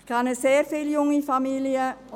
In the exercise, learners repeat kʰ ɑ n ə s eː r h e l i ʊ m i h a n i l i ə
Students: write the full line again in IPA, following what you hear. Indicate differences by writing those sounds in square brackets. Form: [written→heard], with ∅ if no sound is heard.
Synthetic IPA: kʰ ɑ n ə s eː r [h→f] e l [i→j] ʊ [m→ŋ] i [h→f] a [n→m] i l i ə

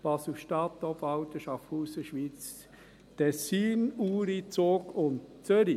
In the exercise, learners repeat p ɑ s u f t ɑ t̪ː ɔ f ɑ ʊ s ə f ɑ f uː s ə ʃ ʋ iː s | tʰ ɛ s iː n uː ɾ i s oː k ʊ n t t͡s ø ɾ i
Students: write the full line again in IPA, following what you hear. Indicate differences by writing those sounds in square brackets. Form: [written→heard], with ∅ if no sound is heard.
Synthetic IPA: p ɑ s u [f→ʃ] t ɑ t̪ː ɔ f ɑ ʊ [s→t] ə [f→ʃ] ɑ f uː s ə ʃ ʋ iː [s→t͡s] | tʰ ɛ s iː n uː ɾ i [s→t͡s] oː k ʊ n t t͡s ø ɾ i

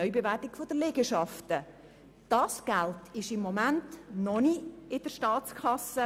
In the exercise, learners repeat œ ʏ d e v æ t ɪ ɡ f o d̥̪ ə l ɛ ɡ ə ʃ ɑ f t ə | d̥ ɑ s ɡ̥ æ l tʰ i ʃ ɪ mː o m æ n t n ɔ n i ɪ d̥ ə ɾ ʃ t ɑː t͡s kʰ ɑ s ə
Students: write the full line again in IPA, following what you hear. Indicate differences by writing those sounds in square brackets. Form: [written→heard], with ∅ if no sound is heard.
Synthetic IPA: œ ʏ [d→b] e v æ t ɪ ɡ f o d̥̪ ə l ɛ ɡ ə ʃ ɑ f t ə | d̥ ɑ s ɡ̥ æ l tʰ [i→ɪ] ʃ ɪ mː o m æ n t n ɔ n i ɪ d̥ ə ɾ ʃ t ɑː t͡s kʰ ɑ s ə

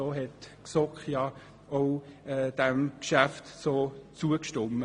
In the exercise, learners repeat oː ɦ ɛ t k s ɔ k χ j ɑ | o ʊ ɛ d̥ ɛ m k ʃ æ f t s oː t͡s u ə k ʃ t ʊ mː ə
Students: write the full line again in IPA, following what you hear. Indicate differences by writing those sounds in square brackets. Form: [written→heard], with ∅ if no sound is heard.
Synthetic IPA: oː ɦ ɛ t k s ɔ k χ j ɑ | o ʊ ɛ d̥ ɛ m k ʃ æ f t s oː t͡s u ə k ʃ t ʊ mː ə

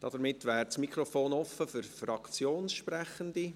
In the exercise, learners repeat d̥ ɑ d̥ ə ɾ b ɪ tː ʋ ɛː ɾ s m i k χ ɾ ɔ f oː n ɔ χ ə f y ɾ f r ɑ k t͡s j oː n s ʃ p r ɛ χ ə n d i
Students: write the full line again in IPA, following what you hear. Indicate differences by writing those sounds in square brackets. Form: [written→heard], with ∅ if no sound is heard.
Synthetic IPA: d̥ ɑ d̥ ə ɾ [b→m] ɪ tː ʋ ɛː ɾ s m i k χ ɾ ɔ f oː n ɔ [χ→f] ə f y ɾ f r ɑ k t͡s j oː n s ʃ p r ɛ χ ə n d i

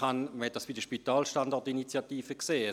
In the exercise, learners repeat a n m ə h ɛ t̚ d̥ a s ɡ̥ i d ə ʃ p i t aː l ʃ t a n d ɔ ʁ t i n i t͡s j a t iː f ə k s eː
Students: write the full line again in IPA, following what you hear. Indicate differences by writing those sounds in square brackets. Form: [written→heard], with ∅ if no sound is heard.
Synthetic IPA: a n m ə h ɛ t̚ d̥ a s [ɡ̥→b̥] i d ə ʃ p i t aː l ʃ t a n d ɔ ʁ t i n i t͡s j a t iː f ə k s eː

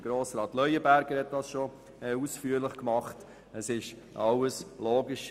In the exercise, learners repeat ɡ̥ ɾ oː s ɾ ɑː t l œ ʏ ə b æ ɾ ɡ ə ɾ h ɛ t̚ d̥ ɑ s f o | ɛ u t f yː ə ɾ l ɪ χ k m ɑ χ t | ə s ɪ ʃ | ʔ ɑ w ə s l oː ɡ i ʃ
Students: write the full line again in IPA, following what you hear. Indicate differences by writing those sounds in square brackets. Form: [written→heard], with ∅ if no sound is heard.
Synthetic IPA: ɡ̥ ɾ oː s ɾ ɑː t l œ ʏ ə b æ ɾ ɡ ə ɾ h ɛ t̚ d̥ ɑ s [f→ʃ] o | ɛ u [t→s] f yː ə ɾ l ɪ χ k m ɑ χ t | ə s ɪ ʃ | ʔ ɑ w ə s l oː ɡ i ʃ

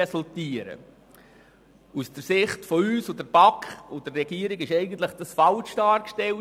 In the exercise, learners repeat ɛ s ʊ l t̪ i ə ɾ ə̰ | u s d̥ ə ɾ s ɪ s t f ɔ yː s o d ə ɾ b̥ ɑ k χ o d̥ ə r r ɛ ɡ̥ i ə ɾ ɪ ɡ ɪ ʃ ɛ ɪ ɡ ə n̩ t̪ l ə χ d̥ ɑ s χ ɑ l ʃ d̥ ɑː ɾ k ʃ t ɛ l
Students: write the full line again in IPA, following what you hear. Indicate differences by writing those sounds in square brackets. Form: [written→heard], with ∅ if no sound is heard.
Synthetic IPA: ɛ s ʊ l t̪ i ə ɾ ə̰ | u s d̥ ə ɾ s ɪ [s→χ] t f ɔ yː s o d ə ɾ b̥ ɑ k χ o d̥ ə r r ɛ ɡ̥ i ə ɾ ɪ ɡ ɪ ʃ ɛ ɪ ɡ ə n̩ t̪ l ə χ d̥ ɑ s [χ→f] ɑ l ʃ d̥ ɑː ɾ k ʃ t ɛ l

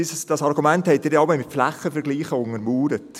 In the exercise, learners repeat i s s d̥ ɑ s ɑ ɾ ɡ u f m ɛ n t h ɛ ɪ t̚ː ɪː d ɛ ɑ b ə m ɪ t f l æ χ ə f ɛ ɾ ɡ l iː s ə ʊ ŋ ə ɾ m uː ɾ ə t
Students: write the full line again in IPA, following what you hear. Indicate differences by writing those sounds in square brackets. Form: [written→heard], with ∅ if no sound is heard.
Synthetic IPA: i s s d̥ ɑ s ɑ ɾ ɡ u [f→∅] m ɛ n t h ɛ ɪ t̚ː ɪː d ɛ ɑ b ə m ɪ t f l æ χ ə f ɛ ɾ ɡ l iː [s→χ] ə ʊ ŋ ə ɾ m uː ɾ ə t

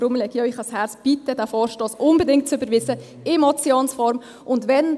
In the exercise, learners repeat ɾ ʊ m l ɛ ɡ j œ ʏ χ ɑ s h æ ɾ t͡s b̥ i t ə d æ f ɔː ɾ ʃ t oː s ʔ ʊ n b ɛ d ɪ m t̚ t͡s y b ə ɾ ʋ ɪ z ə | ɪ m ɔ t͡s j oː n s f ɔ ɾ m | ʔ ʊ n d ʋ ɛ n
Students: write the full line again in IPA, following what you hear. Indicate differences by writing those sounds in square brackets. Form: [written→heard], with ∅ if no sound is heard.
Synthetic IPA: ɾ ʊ m l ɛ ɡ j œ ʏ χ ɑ s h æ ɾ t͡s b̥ i t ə d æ f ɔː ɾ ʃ t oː s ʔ ʊ n b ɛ d ɪ [m→ŋ] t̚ t͡s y b ə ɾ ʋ ɪ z ə | ɪ m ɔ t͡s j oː n s f ɔ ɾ m | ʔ ʊ n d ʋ ɛ n

